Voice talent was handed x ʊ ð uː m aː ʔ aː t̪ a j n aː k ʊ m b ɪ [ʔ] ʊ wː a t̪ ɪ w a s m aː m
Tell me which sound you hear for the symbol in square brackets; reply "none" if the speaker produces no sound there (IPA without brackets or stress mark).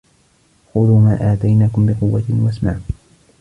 q